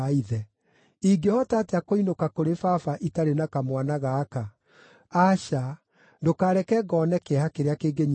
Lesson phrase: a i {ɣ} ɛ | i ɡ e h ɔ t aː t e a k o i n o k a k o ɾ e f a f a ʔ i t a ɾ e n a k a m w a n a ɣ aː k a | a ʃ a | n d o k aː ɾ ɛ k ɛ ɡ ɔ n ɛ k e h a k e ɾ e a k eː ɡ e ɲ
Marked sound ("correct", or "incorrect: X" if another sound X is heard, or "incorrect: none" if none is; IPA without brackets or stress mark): incorrect: ð